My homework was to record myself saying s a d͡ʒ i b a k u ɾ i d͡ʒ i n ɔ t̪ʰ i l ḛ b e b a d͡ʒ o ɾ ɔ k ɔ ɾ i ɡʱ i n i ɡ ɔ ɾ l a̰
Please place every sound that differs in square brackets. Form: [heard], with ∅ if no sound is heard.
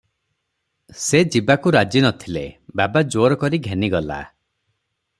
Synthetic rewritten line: s [e] d͡ʒ i b a k u ɾ [a] d͡ʒ i n ɔ t̪ʰ i l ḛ b [a] b a d͡ʒ o ɾ ɔ k ɔ ɾ i ɡʱ [e] n i ɡ ɔ [∅] l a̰